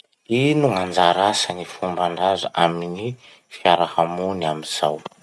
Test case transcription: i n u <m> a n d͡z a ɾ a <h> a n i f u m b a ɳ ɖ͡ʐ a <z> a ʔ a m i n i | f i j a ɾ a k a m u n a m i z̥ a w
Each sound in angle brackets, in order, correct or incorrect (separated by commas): incorrect, incorrect, correct